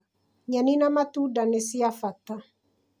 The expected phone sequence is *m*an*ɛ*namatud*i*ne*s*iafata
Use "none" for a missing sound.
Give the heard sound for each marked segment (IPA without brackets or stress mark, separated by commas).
ɲ, i, a, s